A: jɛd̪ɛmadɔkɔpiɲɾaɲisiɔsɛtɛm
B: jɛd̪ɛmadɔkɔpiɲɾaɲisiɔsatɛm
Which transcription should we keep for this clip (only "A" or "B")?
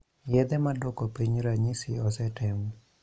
A